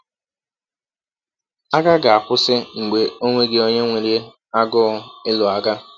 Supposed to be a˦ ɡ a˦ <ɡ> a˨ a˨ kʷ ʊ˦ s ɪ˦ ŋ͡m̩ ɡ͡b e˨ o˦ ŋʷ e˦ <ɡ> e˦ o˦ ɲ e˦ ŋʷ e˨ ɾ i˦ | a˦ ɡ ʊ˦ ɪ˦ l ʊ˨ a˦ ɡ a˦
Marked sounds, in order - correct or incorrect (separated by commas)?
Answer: correct, correct